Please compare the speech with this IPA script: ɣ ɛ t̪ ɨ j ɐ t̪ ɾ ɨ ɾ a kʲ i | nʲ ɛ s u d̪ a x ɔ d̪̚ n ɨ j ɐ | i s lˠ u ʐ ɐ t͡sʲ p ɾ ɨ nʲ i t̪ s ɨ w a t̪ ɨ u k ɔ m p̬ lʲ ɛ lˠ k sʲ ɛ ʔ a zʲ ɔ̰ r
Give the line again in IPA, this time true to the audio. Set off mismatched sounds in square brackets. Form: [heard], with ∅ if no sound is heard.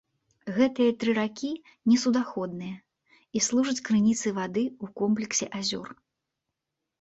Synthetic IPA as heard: ɣ ɛ t̪ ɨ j ɐ t̪ ɾ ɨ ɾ a kʲ i | nʲ ɛ s u d̪ a x ɔ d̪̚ n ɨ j ɐ | i s lˠ u ʐ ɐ t͡sʲ [k] ɾ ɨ nʲ i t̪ s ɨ [v] a [d̪] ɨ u k ɔ m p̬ lʲ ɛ [∅] k sʲ ɛ ʔ a zʲ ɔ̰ r